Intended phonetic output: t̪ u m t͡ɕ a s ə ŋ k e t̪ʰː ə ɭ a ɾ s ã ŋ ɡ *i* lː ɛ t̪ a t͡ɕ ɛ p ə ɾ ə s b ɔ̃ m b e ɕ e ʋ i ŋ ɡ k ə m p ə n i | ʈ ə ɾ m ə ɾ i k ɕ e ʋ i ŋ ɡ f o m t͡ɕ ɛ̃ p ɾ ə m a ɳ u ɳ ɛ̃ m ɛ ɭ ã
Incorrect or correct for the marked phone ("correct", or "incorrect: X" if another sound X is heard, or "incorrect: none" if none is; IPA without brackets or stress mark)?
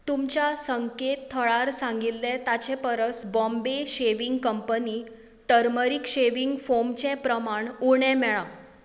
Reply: correct